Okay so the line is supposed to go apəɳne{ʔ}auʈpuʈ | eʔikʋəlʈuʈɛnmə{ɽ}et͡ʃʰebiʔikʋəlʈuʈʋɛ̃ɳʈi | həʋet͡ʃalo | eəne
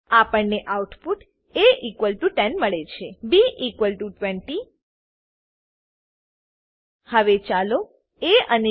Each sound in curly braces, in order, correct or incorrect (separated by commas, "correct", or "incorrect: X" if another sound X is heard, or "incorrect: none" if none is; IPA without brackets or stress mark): correct, incorrect: ɭ